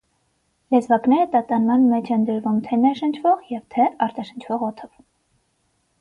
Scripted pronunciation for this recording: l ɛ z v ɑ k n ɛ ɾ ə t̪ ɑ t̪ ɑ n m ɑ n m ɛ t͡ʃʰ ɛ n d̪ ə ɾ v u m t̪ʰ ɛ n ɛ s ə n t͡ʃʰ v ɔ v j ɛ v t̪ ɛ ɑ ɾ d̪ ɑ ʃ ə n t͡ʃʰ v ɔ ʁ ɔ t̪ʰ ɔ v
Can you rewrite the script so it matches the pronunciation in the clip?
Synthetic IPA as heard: l ɛ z v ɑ k n ɛ ɾ ə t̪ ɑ t̪ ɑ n m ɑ n m ɛ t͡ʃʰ ɛ n d̪ ə ɾ v u m t̪ʰ ɛ n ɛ ʃ ə n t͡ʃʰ v ɔ ʁ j ɛ v t̪ʰ ɛ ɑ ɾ t̪ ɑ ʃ ə n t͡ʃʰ v ɔ ʁ ɔ t̪ʰ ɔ v

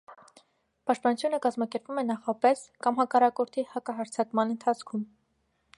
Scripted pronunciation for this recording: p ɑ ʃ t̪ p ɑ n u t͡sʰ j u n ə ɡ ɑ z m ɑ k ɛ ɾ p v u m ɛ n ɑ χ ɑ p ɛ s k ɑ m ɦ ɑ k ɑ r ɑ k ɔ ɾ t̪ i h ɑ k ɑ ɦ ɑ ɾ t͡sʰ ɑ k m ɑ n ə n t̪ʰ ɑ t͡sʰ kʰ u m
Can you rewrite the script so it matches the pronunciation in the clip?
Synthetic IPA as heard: p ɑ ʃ t̪ p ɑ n u t͡sʰ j u n ə k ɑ z m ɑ k ɛ ɾ p v u m ɛ n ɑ χ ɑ p ɛ s k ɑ m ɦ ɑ k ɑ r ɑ k ɔ ɾ t̪ʰ i h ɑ k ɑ ɦ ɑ ɾ t͡sʰ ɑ k m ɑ n ə n t̪ʰ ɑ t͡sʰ kʰ u m

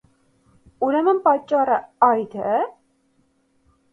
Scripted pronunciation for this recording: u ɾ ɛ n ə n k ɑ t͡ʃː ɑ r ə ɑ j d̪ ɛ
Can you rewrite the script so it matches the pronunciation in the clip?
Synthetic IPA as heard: u ɾ ɛ m ə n p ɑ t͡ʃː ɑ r ə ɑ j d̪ ɛ

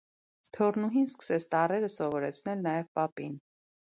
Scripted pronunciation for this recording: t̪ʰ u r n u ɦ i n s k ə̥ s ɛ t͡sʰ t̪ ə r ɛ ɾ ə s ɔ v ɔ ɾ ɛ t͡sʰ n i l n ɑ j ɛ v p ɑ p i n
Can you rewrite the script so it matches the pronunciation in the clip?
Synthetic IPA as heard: t̪ʰ ɔ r n u ɦ i n s k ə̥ s ɛ t͡sʰ t̪ ɑ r ɛ ɾ ə s ɔ v ɔ ɾ ɛ t͡sʰ n ɛ l n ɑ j ɛ v p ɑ p i n

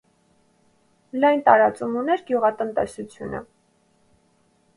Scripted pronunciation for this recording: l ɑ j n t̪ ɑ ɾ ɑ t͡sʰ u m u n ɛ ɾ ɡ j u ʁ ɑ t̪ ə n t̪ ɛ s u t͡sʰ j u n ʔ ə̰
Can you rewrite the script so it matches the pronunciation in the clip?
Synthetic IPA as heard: l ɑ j n t̪ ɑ ɾ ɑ t͡s u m u n ɛ ɾ ɡ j u ʁ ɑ t̪ ə n t̪ ɛ s u t͡sʰ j u n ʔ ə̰

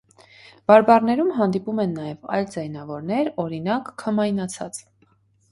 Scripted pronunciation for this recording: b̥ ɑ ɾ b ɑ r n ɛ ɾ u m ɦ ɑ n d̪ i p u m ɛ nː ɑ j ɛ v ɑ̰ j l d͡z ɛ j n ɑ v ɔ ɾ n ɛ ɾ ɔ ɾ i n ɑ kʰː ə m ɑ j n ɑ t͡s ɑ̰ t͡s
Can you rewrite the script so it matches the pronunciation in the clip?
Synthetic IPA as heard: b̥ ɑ ɾ b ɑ r n ɛ ɾ u m ɦ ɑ n d̪ i p u m ɛ nː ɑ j ɛ v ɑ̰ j l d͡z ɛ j n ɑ v ɔ ɾ n ɛ ɾ ɔ ɾ i n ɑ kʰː ə m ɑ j n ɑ t͡sʰ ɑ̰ t͡s

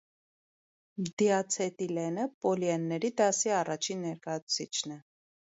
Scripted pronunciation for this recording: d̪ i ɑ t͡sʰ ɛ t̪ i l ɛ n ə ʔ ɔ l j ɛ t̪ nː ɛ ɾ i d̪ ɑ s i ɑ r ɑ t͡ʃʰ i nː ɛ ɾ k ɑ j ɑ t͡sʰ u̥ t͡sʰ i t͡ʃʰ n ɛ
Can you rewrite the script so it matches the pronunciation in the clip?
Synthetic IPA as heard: d̪ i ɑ t͡sʰ ɛ t̪ i l ɛ n ə p ɔ l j ɛ nː ɛ ɾ i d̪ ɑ s i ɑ r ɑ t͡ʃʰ i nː ɛ ɾ k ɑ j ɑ t͡sʰ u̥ t͡sʰ i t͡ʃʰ n ɛ

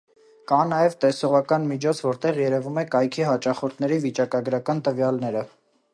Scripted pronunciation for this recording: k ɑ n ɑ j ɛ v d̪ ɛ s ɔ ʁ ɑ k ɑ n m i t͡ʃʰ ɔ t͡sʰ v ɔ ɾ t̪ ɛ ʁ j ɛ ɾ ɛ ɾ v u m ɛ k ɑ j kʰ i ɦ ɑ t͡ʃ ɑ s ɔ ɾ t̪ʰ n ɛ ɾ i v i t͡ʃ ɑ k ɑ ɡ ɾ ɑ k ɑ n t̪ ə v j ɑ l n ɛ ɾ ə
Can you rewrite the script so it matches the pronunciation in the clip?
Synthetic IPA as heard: k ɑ n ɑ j ɛ v t̪ ɛ s ɔ ʁ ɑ k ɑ n m i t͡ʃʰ ɔ t͡sʰ v ɔ ɾ t̪ ɛ ʁ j ɛ ɾ ɛ v u m ɛ k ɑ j kʰ i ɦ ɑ t͡ʃ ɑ χ ɔ ɾ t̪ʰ n ɛ ɾ i v i t͡ʃ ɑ k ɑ ɡ ɾ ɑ k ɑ n t̪ ə v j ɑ l n ɛ ɾ ə

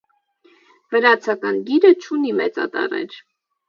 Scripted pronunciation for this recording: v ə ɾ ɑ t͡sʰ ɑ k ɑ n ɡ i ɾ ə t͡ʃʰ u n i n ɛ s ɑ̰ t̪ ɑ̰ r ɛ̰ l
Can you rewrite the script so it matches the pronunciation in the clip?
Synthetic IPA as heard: v ə ɾ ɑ t͡sʰ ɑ k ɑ n ɡ i ɾ ə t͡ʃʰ u n i m ɛ t͡s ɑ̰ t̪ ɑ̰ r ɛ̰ ɾ

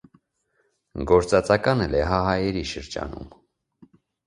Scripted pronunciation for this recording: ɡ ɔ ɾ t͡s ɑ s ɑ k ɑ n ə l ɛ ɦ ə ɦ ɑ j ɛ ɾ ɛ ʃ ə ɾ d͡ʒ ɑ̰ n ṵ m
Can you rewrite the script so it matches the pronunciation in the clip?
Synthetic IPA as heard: ɡ ɔ ɾ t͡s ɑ t͡s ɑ k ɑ n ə l ɛ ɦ ɑ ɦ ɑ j ɛ ɾ i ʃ ə ɾ d͡ʒ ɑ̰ n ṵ m

